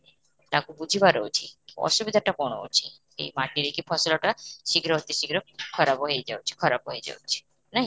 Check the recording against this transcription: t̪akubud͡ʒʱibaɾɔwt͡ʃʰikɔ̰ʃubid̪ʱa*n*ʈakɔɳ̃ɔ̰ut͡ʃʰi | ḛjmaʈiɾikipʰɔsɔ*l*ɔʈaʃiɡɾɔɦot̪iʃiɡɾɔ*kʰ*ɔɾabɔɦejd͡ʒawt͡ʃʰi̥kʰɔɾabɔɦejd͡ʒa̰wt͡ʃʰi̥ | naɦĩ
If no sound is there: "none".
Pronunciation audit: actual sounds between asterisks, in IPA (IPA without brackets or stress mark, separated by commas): none, l, kʰ